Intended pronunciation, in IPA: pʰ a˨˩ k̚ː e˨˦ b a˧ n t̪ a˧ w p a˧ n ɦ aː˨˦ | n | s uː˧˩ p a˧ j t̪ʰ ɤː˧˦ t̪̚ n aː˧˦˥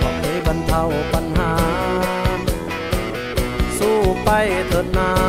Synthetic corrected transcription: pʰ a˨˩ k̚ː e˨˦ b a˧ n t̪ʰ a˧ w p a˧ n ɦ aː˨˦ | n | s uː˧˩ p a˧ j t̪ʰ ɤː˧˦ t̪̚ n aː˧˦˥

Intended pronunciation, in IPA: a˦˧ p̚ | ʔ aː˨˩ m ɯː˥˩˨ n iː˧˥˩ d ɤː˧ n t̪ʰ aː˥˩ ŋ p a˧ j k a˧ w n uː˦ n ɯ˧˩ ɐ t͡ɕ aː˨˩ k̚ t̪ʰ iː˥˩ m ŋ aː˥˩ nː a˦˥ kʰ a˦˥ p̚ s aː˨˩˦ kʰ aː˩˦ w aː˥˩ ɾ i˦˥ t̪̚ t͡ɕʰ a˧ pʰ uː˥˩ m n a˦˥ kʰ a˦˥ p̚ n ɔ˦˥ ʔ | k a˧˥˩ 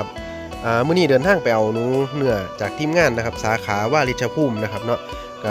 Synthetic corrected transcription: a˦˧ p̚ | ʔ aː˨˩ m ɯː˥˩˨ n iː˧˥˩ d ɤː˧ n t̪ʰ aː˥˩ ŋ p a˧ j ʔ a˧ w n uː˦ n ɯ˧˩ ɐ t͡ɕ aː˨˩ k̚ t̪ʰ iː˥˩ m ŋ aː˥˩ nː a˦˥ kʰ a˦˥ p̚ s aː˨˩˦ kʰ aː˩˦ w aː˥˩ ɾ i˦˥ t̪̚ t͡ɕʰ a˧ pʰ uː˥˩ m n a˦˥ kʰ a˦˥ p̚ n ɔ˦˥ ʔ | k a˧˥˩

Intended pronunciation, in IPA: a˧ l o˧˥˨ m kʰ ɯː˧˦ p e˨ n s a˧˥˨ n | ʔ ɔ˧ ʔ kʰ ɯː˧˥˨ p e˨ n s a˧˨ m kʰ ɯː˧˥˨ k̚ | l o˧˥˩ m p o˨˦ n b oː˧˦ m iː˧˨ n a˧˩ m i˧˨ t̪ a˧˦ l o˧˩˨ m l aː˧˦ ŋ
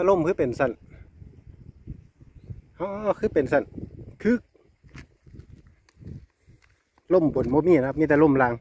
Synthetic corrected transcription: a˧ l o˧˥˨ m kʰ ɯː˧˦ p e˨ n s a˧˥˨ n | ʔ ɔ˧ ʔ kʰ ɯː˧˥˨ p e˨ n s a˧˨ n kʰ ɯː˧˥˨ k̚ | l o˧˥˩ m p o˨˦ n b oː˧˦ m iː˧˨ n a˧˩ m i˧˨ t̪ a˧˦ l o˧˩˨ m l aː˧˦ ŋ

